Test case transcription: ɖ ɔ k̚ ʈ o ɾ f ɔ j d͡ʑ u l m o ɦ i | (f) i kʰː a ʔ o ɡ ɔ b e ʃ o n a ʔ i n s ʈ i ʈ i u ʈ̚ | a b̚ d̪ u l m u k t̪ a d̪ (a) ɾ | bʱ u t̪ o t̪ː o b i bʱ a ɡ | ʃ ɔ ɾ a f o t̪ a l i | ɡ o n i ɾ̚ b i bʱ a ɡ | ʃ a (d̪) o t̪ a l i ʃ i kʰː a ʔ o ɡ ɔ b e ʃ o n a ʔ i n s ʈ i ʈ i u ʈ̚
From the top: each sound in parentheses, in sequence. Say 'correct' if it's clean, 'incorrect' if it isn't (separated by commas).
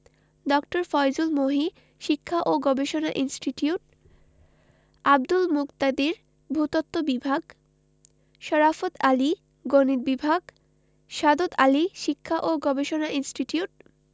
incorrect, incorrect, correct